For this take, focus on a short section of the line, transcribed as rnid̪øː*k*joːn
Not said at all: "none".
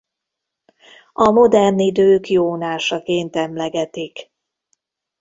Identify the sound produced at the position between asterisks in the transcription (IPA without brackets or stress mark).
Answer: k